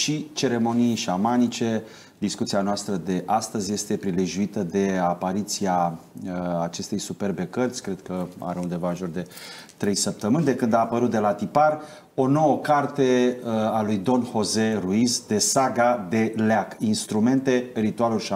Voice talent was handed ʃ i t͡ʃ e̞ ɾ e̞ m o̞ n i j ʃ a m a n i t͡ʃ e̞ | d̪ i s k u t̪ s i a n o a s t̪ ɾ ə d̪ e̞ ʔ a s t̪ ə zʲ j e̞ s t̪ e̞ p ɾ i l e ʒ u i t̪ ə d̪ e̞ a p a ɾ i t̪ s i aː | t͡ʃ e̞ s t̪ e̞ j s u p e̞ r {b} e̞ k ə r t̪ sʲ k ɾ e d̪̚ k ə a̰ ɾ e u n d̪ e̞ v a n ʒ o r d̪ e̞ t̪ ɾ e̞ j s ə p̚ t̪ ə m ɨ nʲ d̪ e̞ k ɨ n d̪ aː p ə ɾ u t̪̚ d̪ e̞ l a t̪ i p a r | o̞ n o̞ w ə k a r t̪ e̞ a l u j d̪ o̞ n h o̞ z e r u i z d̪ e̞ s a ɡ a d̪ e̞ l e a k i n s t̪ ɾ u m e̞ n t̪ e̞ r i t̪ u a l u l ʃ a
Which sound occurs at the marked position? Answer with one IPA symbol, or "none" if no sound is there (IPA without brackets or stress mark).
b